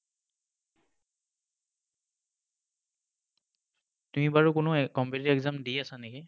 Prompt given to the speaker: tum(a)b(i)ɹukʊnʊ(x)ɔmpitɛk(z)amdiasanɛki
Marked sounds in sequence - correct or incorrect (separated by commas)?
incorrect, incorrect, incorrect, correct